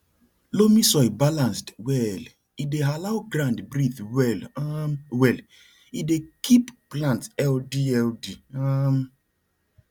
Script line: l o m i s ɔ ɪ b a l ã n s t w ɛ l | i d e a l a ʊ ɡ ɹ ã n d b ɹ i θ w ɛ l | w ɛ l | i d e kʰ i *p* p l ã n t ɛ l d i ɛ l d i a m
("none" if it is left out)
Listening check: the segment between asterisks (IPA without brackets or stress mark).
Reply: p